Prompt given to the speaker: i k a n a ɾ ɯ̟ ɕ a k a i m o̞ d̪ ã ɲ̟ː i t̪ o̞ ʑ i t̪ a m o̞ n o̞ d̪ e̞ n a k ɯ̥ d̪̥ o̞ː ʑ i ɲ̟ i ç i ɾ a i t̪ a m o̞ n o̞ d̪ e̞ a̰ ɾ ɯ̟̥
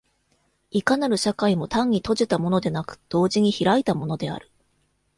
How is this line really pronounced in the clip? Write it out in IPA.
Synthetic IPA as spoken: i k a n a ɾ ɯ̟ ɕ a k a i m o̞ t̪ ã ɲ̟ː i t̪ o̞ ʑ i t̪ a m o̞ n o̞ d̪ e̞ n a k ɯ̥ d̪̥ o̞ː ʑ i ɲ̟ i ç i ɾ a i t̪ a m o̞ n o̞ d̪ e̞ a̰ ɾ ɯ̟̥